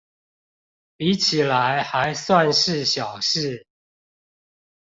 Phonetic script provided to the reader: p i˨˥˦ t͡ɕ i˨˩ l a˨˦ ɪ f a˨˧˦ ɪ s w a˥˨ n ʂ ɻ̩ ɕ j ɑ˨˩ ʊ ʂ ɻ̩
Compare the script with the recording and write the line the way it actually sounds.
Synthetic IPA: p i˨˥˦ t͡ɕʰ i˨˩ l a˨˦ ɪ x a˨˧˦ ɪ s w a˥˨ n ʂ ɻ̩ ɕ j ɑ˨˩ ʊ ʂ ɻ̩